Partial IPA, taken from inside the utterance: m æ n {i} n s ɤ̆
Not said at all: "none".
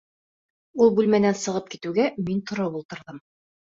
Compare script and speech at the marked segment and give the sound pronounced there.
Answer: æ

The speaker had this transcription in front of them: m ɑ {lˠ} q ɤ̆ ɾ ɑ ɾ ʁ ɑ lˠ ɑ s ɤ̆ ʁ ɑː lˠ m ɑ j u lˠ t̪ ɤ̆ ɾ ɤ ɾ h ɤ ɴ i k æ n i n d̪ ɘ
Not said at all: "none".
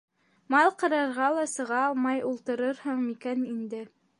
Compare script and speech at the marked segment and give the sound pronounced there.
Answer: lˠ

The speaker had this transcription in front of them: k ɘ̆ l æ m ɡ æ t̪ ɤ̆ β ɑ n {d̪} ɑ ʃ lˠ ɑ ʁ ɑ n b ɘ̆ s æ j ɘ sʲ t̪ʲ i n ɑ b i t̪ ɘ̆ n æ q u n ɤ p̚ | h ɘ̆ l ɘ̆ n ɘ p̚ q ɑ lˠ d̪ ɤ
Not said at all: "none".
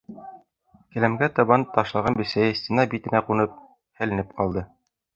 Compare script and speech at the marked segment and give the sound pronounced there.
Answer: t̪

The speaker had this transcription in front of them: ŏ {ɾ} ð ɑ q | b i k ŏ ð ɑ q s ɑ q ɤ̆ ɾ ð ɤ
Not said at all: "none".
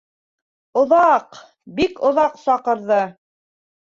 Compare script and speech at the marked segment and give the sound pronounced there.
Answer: none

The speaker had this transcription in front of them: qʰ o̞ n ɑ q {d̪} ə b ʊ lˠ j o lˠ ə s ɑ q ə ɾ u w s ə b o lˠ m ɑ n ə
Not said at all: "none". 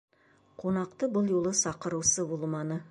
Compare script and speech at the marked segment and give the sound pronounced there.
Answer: t̪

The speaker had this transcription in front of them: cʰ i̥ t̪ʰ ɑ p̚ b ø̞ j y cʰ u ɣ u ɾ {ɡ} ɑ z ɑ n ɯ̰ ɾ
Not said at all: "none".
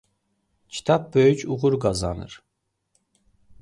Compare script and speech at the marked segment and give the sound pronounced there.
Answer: ɡ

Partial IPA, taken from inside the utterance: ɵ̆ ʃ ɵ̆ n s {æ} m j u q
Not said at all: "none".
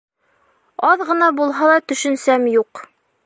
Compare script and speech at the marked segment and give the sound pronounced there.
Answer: æ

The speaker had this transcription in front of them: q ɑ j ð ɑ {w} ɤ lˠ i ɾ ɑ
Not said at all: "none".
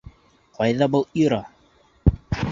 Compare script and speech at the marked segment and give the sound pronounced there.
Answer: b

